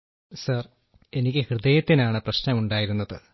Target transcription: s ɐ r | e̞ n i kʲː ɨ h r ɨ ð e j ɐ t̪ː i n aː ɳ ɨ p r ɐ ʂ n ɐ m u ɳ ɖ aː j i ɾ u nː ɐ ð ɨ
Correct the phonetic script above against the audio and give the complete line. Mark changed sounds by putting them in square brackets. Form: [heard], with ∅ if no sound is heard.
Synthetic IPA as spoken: s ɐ r | e̞ n i kʲː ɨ h r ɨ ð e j ɐ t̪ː i n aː ɳ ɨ p r ɐ [ɕ] n ɐ m u ɳ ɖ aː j i ɾ u nː ɐ ð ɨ